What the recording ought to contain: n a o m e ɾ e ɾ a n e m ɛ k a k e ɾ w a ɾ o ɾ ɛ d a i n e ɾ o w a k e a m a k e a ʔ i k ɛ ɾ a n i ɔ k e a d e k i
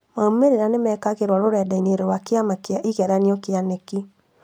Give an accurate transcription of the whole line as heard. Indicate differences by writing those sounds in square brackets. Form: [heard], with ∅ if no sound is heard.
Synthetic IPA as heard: [m] a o m e ɾ e ɾ a n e m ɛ k a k e ɾ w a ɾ o ɾ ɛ d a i n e ɾ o w a k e a m a k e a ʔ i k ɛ ɾ a n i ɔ k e a [n] e k i